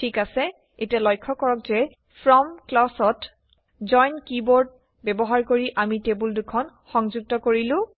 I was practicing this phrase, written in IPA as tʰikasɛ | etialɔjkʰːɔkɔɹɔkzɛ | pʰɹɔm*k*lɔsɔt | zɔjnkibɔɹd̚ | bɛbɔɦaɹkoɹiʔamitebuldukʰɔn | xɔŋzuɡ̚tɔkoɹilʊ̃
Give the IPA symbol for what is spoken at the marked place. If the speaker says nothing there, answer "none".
k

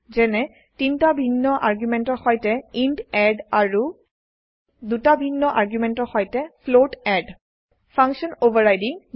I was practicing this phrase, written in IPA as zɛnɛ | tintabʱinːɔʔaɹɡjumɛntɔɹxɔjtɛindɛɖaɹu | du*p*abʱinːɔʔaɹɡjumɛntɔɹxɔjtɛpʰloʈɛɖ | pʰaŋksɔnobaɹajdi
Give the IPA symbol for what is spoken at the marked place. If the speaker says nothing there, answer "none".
t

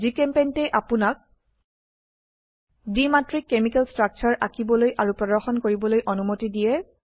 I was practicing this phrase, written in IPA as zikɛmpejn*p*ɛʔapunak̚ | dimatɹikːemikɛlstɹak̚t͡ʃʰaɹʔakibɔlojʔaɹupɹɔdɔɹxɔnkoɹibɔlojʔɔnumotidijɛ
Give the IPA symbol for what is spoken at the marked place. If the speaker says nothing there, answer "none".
t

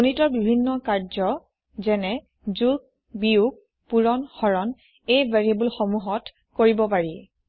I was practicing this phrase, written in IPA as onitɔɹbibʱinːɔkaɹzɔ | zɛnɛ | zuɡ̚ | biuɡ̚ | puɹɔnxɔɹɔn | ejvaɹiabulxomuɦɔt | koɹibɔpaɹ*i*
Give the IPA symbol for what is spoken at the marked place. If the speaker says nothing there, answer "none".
i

